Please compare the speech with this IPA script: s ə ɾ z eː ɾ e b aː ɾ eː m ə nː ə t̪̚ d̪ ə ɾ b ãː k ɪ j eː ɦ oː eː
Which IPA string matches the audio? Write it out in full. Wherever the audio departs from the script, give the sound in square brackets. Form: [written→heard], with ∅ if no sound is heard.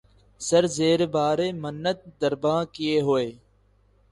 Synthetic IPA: s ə ɾ z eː ɾ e b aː ɾ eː m ə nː ə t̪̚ d̪ ə ɾ b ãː k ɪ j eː ɦ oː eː